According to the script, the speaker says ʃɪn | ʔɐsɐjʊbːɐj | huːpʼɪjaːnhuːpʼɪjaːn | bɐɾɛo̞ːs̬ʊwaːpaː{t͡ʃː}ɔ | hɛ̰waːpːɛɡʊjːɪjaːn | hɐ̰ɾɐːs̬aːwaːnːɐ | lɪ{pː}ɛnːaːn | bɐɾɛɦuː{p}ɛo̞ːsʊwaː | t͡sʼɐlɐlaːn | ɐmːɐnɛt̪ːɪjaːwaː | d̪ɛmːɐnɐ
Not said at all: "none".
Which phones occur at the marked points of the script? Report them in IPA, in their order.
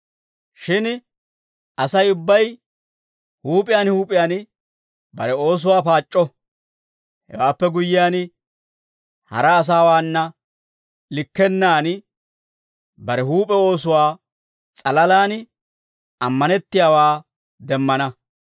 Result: t͡ʃʼː, kː, pʼ

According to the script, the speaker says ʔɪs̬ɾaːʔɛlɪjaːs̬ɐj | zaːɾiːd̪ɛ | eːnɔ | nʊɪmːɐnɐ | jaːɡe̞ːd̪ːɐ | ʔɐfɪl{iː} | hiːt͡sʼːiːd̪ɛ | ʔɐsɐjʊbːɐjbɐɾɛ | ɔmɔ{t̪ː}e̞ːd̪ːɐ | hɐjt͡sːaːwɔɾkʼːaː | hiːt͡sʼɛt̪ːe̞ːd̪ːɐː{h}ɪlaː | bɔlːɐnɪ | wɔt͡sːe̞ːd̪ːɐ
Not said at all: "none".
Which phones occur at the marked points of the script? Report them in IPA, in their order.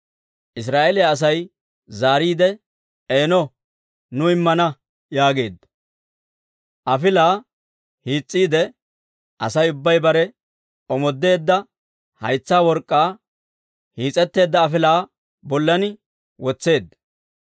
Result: aː, d̪ː, f

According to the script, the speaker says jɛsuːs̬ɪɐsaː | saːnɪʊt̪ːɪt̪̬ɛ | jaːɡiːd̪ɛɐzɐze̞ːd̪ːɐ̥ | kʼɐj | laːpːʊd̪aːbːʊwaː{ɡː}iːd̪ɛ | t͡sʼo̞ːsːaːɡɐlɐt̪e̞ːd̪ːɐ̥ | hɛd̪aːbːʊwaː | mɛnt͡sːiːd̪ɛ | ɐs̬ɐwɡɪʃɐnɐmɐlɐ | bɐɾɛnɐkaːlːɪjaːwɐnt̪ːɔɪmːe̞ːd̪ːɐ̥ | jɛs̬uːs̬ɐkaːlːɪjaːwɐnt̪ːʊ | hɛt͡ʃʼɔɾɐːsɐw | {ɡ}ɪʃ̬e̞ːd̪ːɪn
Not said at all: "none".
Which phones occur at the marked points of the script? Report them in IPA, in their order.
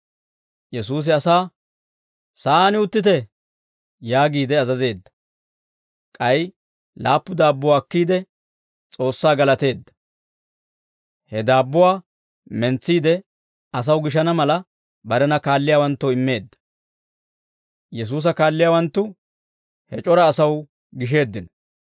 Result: kː, ɡ

